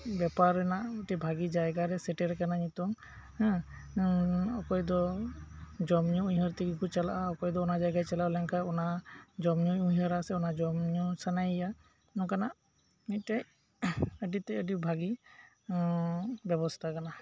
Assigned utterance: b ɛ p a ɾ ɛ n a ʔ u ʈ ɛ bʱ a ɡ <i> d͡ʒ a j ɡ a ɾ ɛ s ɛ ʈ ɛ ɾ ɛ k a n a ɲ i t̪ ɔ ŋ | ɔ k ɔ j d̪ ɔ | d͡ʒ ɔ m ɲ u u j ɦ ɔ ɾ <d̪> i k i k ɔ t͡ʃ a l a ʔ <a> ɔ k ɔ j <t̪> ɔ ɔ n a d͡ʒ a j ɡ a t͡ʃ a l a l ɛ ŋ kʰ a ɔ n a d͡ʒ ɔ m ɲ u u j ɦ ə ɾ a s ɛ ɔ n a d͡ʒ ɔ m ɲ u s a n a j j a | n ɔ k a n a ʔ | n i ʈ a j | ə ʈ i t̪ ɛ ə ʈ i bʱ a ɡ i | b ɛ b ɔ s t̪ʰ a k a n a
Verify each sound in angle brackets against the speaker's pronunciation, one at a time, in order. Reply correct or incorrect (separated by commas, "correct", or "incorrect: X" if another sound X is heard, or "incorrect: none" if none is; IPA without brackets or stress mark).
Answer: correct, incorrect: t̪, correct, incorrect: d̪